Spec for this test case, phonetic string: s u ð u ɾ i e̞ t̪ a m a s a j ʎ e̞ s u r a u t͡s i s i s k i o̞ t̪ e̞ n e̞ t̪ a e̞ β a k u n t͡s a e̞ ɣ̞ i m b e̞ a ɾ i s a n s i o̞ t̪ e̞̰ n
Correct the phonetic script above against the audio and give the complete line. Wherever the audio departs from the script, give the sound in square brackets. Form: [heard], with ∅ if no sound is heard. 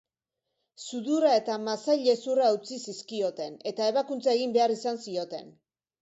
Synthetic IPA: s u ð u ɾ [a] e̞ t̪ a m a s a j ʎ e̞ s u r a u t͡s i s i s k i o̞ t̪ e̞ n e̞ t̪ a e̞ β a k u n t͡s a e̞ ɣ̞ i m b e̞ a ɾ i s a n s i o̞ t̪ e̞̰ n

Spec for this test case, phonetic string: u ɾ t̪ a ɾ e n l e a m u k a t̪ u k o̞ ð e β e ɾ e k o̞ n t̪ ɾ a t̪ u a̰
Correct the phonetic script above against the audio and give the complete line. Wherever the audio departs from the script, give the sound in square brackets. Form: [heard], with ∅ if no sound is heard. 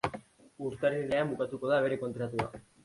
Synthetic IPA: u ɾ t̪ a ɾ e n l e a m u k a t̪ u k o̞ ð [a] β e ɾ e k o̞ n t̪ ɾ a t̪ u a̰

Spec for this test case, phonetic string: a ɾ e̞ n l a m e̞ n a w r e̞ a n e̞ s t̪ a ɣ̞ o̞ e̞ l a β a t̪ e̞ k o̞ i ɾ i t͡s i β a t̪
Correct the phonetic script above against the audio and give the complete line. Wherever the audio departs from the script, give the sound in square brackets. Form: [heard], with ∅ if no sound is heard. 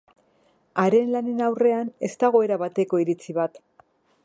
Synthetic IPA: a ɾ e̞ n l a [n] e̞ n a w r e̞ a n e̞ s t̪ a ɣ̞ o̞ e̞ [ɾ] a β a t̪ e̞ k o̞ i ɾ i t͡s i β a t̪

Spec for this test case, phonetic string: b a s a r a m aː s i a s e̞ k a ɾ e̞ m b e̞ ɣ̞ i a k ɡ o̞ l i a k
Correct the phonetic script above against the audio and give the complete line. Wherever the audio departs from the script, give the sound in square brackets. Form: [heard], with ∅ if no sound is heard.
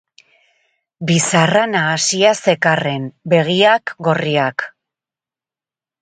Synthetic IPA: b [i] s a r a [n] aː s i a s e̞ k a [r] e̞ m b e̞ ɣ̞ i a k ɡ o̞ [r] i a k

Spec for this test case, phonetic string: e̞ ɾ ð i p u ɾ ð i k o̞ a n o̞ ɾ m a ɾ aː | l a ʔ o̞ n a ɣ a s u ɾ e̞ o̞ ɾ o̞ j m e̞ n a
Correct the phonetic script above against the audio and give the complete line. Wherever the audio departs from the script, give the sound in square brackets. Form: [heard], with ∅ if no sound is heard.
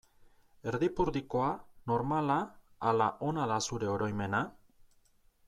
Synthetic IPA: e̞ ɾ ð i p u ɾ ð i k o̞ a n o̞ ɾ m a [l] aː | l a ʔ o̞ n a [ð] a s u ɾ e̞ o̞ ɾ o̞ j m e̞ n a

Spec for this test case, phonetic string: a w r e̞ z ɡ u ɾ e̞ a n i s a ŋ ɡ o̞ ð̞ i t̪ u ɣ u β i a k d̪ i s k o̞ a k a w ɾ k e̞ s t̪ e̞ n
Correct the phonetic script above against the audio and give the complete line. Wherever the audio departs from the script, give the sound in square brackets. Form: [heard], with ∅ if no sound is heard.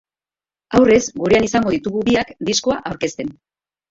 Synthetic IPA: a w r e̞ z ɡ u ɾ e̞ a n i s a ŋ ɡ o̞ ð̞ i t̪ u ɣ u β i a k d̪ i s k o̞ a [ʔ] a w ɾ k e̞ s t̪ e̞ n

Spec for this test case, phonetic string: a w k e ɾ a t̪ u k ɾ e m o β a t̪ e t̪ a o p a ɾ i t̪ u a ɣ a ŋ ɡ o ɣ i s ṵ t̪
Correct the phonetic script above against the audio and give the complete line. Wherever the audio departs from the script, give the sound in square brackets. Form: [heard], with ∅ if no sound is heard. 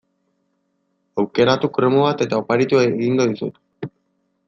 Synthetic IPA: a w k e ɾ a t̪ u k ɾ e m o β a t̪ e t̪ a o p a ɾ i t̪ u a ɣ [i] ŋ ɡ o [ð] i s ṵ t̪

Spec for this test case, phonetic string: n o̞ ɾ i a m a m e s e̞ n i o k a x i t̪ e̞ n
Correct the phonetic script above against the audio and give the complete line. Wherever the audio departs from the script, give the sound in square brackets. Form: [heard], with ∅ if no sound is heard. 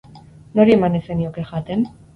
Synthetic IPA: n o̞ ɾ i [e] m a [n] e s e̞ n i o k [e] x [a] t̪ e̞ n

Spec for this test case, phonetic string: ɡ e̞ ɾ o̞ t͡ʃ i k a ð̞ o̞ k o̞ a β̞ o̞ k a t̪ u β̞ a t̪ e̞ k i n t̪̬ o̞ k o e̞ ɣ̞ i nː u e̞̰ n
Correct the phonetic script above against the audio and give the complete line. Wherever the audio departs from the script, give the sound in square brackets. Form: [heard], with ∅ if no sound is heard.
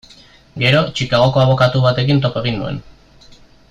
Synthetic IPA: ɡ e̞ ɾ o̞ t͡ʃ i k a [ɣ̞] o̞ k o̞ a β̞ o̞ k a t̪ u β̞ a t̪ e̞ k i n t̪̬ o̞ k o e̞ ɣ̞ i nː u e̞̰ n

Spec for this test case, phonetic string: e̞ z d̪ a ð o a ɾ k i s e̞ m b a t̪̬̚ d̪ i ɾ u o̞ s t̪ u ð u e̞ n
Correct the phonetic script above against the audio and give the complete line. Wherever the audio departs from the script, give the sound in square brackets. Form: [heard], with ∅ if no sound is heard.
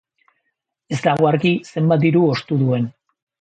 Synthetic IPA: e̞ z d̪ a [ɣ] o a ɾ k i s e̞ m b a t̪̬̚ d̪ i ɾ u o̞ s t̪ u ð u e̞ n

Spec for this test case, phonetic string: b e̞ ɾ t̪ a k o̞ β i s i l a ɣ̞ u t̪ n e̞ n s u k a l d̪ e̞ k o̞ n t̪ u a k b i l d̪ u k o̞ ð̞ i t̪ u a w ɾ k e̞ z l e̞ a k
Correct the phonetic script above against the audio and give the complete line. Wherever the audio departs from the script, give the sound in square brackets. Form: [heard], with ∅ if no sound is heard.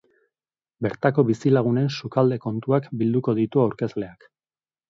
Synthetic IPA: b e̞ ɾ t̪ a k o̞ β i s i l a ɣ̞ u [∅] n e̞ n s u k a l d̪ e̞ k o̞ n t̪ u a k b i l d̪ u k o̞ ð̞ i t̪ u a w ɾ k e̞ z l e̞ a k

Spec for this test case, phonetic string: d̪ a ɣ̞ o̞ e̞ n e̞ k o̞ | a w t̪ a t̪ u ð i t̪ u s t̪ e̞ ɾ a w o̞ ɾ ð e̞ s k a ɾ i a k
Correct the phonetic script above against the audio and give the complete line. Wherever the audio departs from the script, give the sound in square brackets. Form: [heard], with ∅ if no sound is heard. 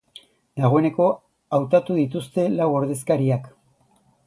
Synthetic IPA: d̪ a ɣ̞ o̞ e̞ n e̞ k o̞ | a w t̪ a t̪ u ð i t̪ u s t̪ e̞ [l] a w o̞ ɾ ð e̞ s k a ɾ i a k

